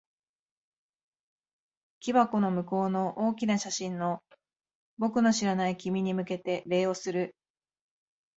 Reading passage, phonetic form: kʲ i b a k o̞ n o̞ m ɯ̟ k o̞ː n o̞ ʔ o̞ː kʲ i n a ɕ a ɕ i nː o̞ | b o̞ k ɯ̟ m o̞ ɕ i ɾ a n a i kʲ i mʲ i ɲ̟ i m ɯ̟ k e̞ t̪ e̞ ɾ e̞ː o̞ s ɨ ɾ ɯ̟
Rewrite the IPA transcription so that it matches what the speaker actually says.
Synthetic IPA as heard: kʲ i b a k o̞ n o̞ m ɯ̟ k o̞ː n o̞ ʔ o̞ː kʲ i n a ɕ a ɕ ĩ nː o̞ | b o̞ k ɯ̟ n o̞ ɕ i ɾ a n a i kʲ i mʲ i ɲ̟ i m ɯ̟ k e̞ t̪ e̞ ɾ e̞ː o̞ s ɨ ɾ ɯ̟